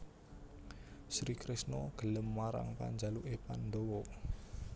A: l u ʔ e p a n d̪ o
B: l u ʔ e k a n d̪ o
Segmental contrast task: A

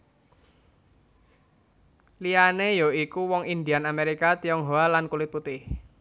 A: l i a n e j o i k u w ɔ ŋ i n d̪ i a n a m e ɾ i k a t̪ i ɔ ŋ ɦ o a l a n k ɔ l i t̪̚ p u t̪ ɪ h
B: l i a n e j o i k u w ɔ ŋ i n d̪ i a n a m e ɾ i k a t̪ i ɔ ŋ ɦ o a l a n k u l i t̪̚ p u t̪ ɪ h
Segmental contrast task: B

